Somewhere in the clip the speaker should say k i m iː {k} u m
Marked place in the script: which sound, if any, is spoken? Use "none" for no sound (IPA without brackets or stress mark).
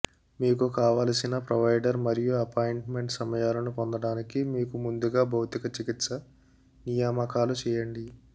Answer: k